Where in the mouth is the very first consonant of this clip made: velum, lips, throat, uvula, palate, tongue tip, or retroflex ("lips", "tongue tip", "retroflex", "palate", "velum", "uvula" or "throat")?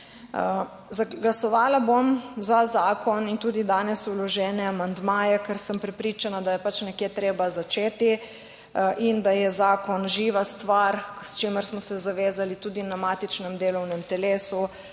tongue tip